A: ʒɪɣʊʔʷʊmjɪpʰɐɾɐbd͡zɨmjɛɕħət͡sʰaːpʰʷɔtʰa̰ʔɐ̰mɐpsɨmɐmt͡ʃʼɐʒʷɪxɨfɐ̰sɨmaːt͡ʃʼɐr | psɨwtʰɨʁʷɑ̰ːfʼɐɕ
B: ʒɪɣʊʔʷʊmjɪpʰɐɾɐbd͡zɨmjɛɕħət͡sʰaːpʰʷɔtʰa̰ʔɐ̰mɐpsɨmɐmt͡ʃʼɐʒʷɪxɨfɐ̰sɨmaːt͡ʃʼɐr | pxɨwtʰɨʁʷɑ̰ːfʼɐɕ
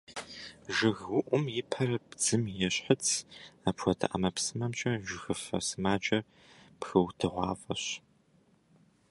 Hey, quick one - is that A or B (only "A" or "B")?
B